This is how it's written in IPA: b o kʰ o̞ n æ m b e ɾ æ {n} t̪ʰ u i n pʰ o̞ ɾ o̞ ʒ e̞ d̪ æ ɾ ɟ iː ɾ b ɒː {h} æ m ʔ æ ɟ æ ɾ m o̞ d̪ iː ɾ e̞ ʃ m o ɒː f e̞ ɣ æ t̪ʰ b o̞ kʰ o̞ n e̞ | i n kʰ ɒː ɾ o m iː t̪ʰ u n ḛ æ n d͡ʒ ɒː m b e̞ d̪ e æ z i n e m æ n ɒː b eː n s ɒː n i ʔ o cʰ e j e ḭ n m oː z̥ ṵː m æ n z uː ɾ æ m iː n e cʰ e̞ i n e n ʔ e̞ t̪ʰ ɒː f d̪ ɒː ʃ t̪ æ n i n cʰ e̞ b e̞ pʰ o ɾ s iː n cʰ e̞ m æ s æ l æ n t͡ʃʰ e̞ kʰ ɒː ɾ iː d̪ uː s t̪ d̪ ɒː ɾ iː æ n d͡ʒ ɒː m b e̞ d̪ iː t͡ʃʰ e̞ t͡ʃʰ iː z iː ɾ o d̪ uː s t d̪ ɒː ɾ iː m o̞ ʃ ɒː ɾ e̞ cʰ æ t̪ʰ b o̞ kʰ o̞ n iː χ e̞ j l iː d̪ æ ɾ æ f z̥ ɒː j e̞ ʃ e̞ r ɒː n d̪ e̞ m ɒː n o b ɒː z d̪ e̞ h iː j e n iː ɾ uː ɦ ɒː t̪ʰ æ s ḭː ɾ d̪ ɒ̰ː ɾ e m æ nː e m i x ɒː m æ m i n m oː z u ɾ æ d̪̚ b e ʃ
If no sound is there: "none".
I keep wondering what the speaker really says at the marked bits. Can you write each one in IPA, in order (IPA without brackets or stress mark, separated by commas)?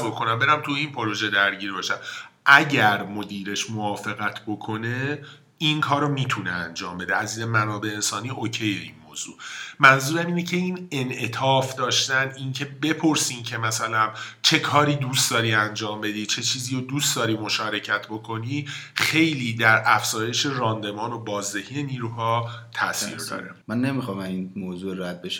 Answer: m, ʃ